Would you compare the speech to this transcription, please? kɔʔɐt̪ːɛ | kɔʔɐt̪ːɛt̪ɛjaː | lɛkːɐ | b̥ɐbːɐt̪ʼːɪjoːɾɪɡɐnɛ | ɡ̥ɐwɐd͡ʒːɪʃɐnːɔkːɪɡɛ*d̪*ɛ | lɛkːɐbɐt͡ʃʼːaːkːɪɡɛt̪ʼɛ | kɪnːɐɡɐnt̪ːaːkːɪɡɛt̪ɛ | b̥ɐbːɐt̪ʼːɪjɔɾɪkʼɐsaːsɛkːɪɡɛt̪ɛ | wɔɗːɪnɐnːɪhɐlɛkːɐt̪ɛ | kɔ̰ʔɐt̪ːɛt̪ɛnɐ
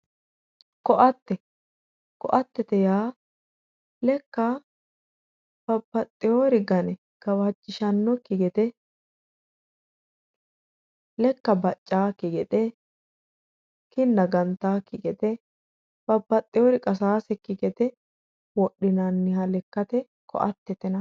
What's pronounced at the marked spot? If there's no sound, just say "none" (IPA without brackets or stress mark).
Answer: t̪